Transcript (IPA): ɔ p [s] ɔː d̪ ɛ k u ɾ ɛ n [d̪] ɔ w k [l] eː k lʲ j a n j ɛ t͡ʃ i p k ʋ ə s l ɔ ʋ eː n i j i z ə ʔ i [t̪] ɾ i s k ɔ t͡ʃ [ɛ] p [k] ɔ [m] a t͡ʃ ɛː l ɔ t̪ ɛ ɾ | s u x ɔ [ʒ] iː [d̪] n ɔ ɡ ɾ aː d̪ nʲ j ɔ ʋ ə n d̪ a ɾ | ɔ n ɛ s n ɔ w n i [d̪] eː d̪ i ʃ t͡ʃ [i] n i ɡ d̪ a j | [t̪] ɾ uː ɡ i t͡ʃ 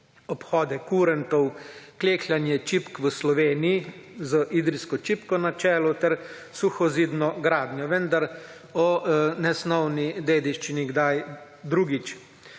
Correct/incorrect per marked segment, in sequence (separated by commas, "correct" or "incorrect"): incorrect, incorrect, correct, incorrect, incorrect, correct, incorrect, incorrect, correct, correct, correct, incorrect